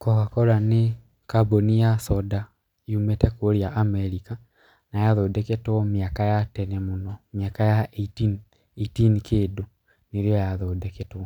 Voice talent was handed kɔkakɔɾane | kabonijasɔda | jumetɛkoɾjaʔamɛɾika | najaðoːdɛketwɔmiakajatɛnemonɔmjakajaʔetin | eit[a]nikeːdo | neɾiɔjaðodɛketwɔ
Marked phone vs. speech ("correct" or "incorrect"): incorrect